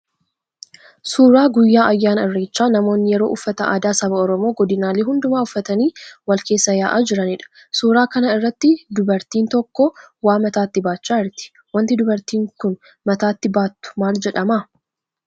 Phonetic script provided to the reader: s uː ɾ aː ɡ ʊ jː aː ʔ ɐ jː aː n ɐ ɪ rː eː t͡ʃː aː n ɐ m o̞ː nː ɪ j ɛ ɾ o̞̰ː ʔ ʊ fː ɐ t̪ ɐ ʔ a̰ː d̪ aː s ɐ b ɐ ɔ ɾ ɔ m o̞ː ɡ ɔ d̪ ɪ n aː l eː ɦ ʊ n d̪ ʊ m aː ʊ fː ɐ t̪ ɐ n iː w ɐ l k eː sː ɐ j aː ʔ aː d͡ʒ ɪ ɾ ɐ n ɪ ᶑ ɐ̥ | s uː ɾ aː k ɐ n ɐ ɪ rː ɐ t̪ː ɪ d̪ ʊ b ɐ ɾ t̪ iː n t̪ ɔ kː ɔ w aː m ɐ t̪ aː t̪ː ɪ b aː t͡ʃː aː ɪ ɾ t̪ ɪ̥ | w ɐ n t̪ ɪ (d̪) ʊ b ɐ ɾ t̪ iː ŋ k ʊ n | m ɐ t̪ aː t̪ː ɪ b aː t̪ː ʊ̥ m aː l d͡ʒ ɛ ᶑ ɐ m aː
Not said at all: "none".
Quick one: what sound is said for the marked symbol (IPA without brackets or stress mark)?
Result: d̪